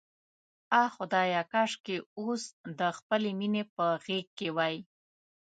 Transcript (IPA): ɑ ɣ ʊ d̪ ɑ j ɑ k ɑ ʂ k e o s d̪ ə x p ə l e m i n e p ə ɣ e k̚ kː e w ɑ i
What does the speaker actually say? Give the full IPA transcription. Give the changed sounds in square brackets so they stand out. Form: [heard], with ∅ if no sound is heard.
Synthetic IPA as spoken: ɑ [x] ʊ d̪ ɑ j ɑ k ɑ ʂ k e o s d̪ ə x p ə l e m i n e p ə ɣ e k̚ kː e w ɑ [j]